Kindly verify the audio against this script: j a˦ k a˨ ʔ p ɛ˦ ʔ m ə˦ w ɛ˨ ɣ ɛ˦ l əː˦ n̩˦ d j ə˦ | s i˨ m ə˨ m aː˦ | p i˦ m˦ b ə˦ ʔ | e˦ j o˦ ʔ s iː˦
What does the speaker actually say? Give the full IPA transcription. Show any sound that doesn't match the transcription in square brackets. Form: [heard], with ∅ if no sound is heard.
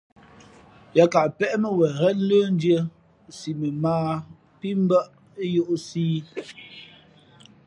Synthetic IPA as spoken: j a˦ k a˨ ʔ p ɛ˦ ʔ m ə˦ w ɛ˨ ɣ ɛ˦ l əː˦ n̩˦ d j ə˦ | s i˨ m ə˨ m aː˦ | p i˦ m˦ b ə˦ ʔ | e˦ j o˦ ʔ s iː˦